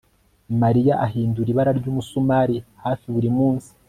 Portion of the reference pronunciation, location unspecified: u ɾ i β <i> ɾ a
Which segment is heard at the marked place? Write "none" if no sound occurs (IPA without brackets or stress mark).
a